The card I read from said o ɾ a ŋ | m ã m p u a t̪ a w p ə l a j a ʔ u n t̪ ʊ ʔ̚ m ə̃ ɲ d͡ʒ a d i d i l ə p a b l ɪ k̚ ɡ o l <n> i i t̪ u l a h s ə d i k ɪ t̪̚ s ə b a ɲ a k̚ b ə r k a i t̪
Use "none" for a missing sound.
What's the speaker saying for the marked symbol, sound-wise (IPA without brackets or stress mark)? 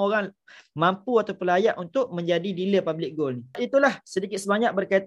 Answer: n